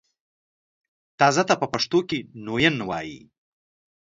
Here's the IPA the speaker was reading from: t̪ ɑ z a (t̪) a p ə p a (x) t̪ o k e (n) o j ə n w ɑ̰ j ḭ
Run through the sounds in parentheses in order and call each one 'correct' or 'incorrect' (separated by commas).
correct, incorrect, correct